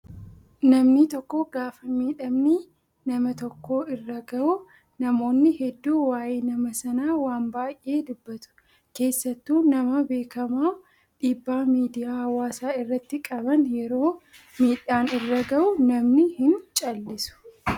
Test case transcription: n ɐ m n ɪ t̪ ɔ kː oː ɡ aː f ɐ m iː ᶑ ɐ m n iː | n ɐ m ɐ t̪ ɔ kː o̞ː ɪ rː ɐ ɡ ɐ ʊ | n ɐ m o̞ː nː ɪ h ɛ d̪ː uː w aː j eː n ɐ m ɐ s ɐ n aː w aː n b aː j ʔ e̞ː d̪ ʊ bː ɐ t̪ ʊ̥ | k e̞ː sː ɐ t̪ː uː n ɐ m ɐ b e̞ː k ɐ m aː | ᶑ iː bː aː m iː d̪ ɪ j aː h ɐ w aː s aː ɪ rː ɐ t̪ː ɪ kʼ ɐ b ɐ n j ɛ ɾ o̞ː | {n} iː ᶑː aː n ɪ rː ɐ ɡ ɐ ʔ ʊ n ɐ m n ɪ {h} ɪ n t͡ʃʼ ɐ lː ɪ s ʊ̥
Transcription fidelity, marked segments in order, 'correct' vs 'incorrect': incorrect: m, correct

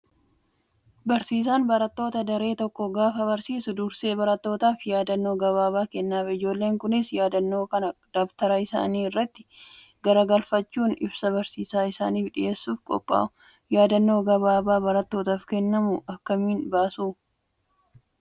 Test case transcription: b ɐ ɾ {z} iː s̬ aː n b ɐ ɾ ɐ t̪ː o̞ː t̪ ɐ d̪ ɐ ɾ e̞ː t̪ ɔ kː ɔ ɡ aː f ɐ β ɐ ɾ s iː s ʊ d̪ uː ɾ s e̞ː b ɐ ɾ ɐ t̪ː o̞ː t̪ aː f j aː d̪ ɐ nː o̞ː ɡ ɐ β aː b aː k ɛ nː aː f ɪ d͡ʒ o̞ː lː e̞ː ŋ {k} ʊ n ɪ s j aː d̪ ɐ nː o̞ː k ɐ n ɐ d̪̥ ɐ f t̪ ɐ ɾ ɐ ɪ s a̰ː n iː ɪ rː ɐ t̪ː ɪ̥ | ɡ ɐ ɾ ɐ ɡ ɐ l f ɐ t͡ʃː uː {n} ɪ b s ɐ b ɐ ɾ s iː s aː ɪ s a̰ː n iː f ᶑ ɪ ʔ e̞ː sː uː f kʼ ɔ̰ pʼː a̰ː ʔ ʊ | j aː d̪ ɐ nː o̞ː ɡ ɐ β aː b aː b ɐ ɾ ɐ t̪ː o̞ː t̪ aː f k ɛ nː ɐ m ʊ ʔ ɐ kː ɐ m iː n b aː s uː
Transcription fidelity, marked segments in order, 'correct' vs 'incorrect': incorrect: s, correct, correct

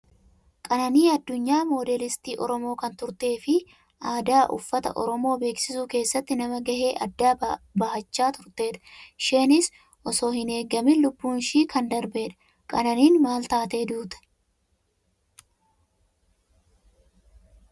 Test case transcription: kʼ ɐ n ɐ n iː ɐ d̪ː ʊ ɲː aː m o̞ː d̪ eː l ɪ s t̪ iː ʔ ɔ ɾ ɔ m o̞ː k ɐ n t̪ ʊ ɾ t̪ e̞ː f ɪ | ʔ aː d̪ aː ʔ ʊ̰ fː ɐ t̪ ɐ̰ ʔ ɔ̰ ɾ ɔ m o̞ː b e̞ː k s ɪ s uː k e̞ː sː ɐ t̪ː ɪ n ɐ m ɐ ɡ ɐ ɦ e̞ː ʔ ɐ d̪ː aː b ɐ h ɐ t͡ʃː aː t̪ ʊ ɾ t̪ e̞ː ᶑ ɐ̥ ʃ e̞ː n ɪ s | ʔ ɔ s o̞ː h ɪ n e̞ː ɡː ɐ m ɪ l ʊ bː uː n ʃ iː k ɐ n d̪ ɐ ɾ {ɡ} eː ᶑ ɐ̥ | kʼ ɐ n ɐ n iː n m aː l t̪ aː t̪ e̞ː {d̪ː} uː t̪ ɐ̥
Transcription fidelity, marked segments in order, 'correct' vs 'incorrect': incorrect: b, incorrect: d̪

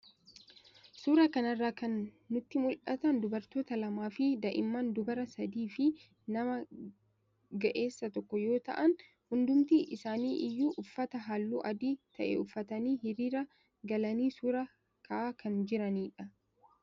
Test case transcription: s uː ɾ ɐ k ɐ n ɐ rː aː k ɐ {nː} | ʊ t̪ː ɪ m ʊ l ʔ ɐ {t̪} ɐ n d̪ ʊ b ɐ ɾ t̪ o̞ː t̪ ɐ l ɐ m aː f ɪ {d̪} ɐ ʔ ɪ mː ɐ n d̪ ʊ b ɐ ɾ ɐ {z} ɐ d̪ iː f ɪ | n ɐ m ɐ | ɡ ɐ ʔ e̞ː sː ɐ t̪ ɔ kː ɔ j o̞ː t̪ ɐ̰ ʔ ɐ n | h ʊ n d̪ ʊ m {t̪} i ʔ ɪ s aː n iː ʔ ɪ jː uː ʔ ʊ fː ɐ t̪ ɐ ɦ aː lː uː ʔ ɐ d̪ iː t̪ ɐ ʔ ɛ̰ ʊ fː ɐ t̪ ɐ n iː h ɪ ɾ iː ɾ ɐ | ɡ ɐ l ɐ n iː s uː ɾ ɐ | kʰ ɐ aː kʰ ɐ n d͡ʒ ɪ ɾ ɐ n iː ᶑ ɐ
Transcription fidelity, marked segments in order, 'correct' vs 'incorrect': correct, correct, correct, incorrect: s, correct

